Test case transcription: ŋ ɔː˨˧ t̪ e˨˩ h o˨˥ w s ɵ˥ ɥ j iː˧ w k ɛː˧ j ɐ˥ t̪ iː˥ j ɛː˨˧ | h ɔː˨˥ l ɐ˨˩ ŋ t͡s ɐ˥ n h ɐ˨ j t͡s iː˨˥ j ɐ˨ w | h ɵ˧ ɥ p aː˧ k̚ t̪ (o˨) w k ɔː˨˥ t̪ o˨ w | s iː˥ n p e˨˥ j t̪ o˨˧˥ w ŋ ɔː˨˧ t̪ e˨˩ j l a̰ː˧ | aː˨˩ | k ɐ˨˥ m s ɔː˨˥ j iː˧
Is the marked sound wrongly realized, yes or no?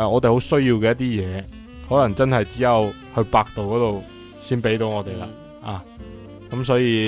no